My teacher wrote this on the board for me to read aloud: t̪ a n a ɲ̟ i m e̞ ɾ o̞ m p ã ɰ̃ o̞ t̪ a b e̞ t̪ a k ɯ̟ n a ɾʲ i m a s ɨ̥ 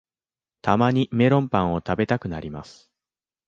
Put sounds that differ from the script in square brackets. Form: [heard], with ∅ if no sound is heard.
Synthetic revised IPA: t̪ a [m] a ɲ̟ i m e̞ ɾ [õ̞] m p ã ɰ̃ o̞ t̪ a b e̞ t̪ a k ɯ̟ n a ɾʲ i m a s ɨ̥